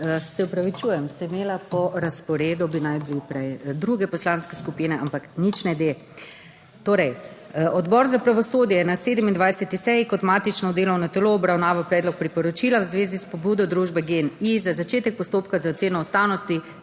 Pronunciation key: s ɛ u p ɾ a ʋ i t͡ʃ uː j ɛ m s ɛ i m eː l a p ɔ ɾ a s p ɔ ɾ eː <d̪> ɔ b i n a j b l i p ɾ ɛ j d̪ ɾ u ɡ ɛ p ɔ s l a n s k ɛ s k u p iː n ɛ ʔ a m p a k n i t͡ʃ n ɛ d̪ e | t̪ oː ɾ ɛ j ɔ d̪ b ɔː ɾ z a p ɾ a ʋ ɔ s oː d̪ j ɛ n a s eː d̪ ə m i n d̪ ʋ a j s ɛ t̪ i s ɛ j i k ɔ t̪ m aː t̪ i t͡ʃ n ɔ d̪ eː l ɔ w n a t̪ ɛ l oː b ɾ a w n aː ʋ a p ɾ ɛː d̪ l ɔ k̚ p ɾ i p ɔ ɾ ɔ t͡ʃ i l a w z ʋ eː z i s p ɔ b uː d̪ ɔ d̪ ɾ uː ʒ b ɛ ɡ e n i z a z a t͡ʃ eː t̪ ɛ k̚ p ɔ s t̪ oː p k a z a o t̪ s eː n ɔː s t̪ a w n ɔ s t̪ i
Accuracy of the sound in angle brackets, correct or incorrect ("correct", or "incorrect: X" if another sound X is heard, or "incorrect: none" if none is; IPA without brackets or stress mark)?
correct